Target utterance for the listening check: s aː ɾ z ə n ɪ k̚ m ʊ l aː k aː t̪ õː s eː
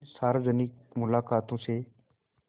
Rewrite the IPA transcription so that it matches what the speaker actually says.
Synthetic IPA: s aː ɾ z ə n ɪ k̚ m ʊ l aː k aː t̪ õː s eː